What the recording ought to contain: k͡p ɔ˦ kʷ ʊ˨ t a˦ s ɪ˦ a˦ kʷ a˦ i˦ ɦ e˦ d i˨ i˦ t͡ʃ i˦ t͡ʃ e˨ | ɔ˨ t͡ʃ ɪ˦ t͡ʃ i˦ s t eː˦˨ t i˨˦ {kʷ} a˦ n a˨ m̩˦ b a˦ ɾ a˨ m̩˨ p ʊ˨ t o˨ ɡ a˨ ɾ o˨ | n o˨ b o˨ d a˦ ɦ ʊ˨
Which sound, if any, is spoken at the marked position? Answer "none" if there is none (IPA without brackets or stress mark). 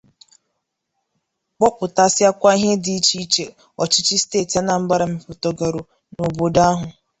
none